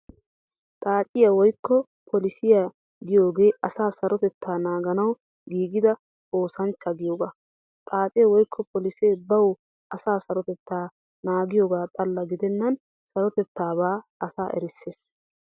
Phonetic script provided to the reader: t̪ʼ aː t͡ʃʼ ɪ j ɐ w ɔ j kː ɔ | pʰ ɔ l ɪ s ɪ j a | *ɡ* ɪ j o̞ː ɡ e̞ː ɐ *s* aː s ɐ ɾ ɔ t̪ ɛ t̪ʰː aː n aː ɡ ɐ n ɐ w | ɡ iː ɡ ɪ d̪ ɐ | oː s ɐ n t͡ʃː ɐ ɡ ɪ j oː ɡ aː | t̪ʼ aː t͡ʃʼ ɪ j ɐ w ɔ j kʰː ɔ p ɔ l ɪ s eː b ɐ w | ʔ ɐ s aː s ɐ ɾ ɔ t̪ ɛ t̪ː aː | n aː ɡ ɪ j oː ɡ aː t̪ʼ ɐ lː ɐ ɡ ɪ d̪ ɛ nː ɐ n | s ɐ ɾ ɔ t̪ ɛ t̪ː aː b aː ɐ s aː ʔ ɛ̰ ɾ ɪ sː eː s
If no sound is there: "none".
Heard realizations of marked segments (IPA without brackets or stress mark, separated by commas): ɡ, s